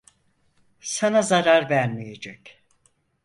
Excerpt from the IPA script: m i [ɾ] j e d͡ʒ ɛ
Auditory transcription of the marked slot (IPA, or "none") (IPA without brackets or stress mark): none